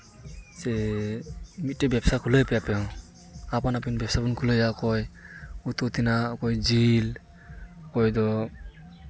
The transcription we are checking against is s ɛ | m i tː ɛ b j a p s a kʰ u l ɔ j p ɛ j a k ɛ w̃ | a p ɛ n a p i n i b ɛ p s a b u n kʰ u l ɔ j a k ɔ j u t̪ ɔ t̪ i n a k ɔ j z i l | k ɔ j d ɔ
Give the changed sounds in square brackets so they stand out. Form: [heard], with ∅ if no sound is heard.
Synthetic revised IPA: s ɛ | m i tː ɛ b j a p s a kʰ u l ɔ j p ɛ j a [p] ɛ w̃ | a p [a] n a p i n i b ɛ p s a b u n kʰ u l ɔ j a k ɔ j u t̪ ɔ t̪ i n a k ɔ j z i l | k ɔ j d ɔ